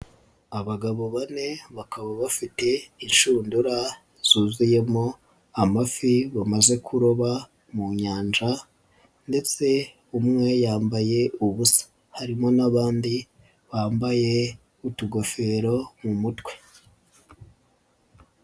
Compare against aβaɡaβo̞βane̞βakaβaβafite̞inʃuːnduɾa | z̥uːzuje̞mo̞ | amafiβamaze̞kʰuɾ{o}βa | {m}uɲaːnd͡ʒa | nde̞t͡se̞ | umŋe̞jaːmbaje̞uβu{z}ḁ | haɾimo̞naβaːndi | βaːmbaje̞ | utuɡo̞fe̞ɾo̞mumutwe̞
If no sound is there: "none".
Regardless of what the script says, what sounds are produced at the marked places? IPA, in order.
o, m, s

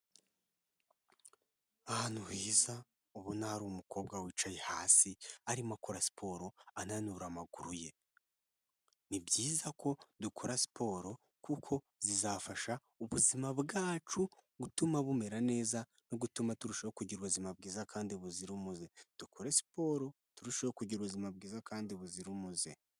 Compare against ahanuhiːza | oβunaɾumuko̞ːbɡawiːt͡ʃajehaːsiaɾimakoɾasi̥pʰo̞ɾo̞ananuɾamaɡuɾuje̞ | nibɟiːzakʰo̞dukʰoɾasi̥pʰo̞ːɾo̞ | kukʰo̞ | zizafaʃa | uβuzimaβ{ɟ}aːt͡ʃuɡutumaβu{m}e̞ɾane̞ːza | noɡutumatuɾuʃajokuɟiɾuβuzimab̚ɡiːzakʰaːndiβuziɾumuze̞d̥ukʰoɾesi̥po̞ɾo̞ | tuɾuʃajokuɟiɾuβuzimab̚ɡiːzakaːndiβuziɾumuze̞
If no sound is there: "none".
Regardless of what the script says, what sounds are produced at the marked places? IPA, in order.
ɡ, m

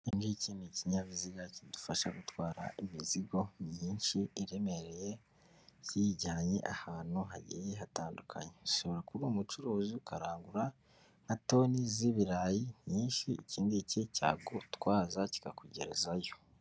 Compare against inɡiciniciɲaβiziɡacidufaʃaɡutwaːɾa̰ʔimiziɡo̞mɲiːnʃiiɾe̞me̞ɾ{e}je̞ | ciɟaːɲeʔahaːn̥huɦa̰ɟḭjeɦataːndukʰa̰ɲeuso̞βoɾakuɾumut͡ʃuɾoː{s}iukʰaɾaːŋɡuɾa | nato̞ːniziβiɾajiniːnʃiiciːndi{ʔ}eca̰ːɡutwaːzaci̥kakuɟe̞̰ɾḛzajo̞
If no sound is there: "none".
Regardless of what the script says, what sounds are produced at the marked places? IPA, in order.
e, z, c

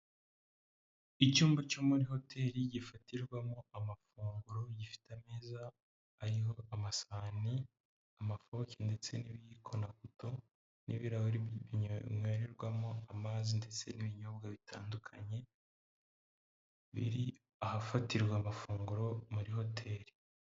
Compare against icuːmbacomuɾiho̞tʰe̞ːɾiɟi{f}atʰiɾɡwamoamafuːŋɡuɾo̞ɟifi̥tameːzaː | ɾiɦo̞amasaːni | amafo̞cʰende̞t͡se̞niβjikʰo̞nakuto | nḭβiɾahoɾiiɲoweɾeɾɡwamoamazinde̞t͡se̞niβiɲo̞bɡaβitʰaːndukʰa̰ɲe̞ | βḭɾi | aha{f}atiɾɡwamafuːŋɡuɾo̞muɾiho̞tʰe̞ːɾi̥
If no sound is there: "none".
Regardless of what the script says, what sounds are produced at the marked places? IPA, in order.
f, f

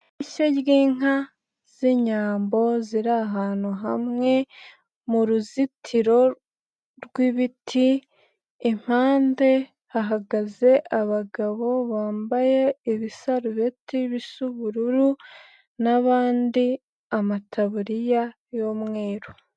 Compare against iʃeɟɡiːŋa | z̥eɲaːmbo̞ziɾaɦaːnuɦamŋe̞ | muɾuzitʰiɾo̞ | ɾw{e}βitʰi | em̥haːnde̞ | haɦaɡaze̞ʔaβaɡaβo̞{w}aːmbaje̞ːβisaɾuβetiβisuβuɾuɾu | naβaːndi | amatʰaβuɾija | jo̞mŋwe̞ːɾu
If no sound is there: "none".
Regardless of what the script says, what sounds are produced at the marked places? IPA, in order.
i, β

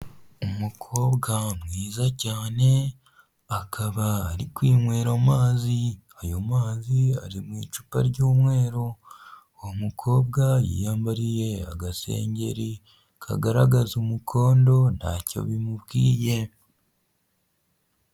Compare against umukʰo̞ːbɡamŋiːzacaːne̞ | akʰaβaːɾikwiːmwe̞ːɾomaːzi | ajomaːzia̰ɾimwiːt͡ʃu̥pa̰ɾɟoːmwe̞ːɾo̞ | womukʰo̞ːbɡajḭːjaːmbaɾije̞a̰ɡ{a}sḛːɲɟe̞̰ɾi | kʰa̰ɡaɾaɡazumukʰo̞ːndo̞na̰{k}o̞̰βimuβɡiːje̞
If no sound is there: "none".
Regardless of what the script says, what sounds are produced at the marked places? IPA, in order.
a, c

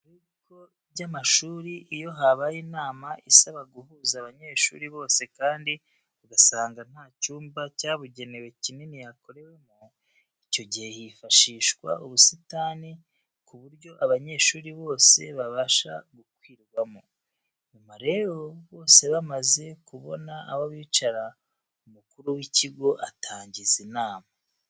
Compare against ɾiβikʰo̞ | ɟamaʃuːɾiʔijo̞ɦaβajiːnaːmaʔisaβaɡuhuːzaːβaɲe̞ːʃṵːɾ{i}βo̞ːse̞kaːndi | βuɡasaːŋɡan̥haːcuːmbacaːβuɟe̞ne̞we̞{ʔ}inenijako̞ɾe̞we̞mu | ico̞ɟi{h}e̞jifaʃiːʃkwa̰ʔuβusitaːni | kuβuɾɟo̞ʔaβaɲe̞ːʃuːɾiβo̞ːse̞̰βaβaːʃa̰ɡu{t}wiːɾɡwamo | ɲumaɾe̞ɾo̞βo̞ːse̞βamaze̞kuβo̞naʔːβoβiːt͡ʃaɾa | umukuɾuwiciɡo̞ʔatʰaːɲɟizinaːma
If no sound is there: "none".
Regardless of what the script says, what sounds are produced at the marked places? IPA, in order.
i, c, h, k

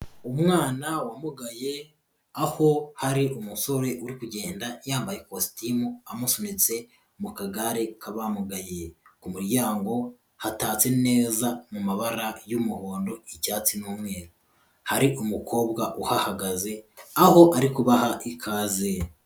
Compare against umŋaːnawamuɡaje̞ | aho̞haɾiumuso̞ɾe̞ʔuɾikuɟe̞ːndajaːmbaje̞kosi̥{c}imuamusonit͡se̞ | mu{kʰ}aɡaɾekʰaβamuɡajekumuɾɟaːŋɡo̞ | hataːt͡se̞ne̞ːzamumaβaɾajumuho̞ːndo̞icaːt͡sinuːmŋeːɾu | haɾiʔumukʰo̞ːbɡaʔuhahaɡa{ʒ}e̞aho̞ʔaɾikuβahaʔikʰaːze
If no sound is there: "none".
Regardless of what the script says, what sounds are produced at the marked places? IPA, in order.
t, k, z

